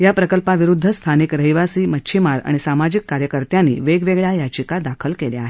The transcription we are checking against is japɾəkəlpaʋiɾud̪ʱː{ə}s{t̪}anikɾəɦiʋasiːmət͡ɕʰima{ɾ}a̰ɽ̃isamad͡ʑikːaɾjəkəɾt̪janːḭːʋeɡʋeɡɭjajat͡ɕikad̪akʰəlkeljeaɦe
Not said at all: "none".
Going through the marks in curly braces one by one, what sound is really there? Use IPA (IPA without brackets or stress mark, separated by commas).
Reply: ə, t̪ʰ, ɾ